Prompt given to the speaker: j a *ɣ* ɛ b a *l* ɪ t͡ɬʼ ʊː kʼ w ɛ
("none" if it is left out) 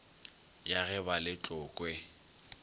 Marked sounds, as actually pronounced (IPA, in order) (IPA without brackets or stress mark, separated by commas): ɣ, l